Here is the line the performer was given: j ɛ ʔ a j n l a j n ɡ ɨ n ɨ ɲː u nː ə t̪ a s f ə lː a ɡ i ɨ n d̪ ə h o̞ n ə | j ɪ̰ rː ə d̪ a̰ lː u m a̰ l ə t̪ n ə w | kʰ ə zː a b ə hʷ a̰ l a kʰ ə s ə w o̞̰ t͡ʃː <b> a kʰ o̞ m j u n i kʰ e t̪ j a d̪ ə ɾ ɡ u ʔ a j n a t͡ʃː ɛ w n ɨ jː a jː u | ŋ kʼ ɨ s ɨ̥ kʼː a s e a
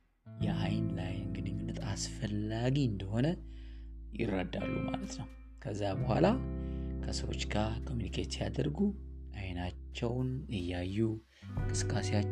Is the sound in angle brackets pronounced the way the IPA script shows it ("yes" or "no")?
no